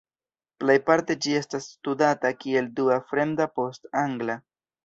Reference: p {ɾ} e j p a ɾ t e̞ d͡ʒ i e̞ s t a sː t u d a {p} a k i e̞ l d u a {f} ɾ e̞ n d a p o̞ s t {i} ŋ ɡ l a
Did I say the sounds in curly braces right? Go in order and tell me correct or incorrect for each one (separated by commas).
incorrect, incorrect, correct, incorrect